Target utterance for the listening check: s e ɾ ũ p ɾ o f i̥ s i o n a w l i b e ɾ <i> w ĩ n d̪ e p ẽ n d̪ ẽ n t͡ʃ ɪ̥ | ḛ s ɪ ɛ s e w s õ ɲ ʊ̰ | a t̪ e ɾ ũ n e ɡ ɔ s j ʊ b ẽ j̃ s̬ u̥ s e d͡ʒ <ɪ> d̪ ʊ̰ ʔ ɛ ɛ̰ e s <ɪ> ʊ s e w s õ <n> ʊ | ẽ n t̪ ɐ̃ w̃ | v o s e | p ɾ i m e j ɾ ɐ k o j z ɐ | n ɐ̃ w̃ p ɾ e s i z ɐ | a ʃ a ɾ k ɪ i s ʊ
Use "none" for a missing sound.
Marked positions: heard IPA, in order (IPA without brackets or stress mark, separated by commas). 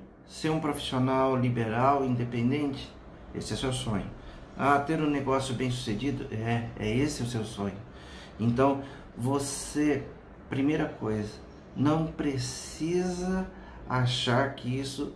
a, i, ɪ, ɲ